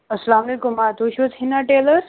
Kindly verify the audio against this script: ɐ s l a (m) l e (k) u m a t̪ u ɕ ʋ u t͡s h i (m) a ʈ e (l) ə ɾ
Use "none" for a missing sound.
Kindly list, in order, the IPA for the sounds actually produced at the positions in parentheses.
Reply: m, k, n, l

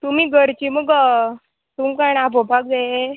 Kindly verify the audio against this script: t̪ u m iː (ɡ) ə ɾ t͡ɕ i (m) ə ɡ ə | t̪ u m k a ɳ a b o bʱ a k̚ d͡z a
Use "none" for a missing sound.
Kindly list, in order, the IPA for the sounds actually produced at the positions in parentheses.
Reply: ɡ, m

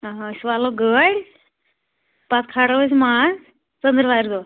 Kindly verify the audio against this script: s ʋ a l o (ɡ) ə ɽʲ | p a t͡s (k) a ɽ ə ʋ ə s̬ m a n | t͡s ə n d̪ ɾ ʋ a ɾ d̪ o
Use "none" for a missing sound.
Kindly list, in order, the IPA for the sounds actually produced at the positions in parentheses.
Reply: ɡ, kʰ

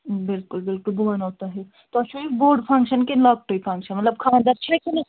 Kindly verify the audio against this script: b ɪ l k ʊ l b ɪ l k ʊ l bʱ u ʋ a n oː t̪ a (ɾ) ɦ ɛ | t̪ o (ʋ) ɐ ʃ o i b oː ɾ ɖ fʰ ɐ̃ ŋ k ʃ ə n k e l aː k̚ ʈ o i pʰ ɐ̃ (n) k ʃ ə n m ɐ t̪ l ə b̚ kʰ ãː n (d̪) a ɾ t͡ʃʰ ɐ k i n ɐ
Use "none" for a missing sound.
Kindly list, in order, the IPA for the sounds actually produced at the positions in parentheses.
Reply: none, none, ŋ, d̪

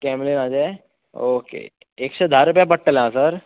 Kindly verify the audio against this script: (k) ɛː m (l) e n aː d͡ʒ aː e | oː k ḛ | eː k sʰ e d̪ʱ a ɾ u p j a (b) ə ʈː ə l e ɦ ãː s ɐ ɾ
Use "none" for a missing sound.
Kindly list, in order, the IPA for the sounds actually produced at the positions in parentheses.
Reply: k, l, p

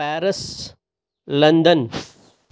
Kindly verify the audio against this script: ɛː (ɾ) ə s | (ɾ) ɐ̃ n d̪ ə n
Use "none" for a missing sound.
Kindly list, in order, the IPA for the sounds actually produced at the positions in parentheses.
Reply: ɾ, l

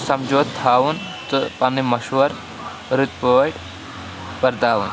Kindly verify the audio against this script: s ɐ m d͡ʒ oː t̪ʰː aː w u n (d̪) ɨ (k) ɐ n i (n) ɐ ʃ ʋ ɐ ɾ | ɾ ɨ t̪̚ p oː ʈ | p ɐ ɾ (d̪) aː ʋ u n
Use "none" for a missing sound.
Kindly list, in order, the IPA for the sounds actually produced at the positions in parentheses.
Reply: t̪, p, m, d̪

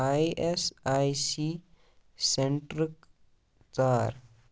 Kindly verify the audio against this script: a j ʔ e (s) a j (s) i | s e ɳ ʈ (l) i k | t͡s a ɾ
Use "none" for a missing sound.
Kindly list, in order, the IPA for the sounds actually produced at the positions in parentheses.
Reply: s, s, ɾ

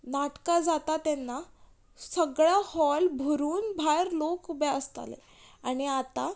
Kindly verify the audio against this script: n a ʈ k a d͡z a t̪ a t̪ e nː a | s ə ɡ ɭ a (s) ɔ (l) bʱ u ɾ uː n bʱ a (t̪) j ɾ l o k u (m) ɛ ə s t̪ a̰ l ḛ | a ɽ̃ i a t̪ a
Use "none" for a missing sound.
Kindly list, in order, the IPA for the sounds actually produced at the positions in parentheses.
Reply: h, l, none, b

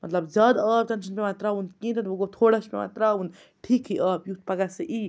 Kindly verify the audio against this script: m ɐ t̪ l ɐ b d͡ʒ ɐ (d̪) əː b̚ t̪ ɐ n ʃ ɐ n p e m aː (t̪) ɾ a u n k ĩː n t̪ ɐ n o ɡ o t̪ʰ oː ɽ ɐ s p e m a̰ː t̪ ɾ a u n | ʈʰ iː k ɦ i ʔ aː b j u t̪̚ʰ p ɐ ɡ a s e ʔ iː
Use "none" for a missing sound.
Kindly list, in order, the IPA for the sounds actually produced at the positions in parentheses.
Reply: d̪, t̪

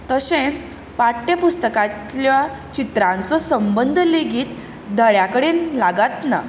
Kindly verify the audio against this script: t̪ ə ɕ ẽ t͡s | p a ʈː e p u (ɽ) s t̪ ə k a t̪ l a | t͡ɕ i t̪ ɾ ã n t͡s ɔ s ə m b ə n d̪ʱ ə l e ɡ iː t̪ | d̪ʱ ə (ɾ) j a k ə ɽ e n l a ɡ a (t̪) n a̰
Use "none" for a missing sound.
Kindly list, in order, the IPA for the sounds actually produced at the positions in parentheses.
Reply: none, ɭ, t̪

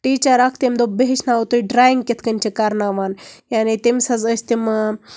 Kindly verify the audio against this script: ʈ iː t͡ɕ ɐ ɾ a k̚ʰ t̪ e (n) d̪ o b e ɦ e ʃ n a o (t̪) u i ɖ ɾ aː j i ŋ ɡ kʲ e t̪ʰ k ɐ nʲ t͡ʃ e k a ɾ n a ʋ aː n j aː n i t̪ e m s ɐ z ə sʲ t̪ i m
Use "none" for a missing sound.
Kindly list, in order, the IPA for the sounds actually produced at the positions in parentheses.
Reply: m, t̪

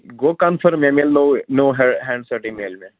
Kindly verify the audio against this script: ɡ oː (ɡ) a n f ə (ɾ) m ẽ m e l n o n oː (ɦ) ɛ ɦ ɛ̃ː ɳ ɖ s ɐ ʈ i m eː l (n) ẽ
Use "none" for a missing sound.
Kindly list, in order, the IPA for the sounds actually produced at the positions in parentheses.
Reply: k, ɾ, ɦ, m

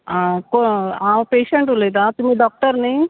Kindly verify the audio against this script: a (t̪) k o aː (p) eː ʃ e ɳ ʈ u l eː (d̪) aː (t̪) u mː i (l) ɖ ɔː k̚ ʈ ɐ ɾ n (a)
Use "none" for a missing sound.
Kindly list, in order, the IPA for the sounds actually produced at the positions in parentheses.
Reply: none, p, d̪, t̪, none, i

